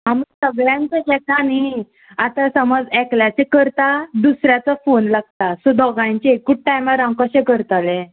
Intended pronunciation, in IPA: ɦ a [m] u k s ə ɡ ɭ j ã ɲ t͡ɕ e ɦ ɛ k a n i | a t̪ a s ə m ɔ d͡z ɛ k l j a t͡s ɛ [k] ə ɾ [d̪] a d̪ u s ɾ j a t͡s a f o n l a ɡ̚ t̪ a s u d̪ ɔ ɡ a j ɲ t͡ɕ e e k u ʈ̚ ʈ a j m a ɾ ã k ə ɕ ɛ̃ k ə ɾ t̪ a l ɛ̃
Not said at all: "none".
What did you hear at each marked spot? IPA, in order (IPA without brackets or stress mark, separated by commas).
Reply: m, k, t̪